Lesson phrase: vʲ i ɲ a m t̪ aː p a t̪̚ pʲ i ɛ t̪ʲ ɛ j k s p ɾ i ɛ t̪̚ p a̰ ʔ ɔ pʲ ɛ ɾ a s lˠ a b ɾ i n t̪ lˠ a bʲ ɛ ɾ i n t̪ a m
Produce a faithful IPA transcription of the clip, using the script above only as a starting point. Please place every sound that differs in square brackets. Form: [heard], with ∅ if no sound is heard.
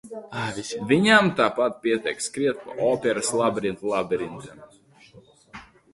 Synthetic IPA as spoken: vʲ i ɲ a m t̪ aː p a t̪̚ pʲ i ɛ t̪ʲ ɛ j k s [k] ɾ i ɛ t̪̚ p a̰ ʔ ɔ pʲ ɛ ɾ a s lˠ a b ɾ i n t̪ lˠ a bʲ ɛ ɾ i n t̪ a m